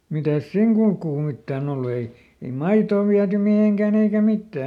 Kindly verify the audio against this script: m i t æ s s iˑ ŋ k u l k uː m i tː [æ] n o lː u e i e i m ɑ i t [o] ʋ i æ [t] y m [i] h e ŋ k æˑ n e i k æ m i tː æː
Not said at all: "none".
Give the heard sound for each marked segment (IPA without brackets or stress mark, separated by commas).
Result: æː, oː, t, i